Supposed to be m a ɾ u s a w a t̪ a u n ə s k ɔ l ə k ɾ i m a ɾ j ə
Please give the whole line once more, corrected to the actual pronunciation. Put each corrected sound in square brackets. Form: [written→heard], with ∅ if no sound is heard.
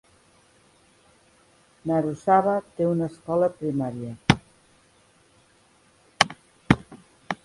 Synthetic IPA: [m→n] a ɾ u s a [w→β] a t̪ [a→e] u n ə s k ɔ l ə [k→p] ɾ i m a ɾ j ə